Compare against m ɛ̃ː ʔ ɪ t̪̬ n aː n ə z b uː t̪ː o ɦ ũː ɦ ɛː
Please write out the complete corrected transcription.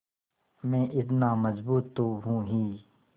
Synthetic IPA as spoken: m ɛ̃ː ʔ ɪ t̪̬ n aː m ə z b uː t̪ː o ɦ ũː ɦ iː